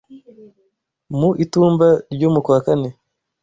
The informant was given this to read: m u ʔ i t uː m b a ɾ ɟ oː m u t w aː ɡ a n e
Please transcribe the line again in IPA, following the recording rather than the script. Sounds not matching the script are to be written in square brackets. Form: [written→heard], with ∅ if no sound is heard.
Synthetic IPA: m u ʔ i t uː m b a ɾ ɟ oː m u [t→k] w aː [ɡ→k] a n e